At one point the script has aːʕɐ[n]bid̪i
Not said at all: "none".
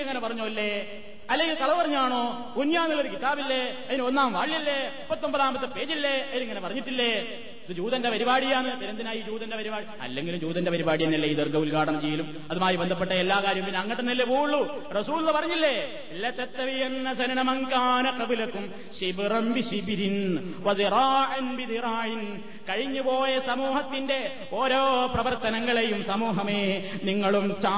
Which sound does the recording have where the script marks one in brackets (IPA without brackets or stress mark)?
n